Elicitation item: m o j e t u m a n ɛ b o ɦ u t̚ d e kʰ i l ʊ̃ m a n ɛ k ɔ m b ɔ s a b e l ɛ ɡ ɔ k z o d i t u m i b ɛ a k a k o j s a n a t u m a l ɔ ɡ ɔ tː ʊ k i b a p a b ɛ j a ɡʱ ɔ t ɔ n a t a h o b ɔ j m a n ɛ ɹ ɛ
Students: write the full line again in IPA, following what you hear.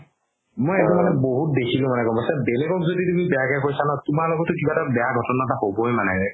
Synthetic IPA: m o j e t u m a n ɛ b o ɦ u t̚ d e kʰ i l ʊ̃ m a n ɛ k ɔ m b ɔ s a b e l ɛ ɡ ɔ k z o d i t u m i b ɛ a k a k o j s a n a t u m a l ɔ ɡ ɔ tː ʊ k i b a t a b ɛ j a ɡʱ ɔ t ɔ n a t a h o b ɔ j m a n ɛ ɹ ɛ